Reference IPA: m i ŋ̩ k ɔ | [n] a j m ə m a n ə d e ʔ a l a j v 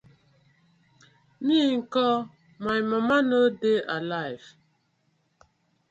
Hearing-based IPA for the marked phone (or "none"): m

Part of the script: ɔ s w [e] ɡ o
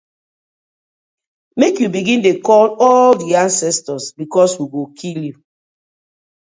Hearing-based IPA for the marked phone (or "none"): i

